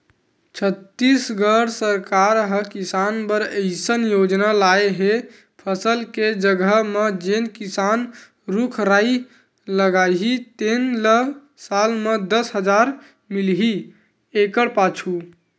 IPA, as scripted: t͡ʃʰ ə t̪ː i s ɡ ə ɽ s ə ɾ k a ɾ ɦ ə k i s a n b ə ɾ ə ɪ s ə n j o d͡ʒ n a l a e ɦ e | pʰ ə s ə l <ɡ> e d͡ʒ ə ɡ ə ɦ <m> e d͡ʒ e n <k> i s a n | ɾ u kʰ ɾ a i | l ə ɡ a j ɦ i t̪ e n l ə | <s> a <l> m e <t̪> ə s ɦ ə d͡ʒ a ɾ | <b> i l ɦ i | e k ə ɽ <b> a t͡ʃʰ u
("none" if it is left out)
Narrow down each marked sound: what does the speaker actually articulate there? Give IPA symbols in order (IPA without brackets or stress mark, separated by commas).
k, m, k, s, l, d̪, m, p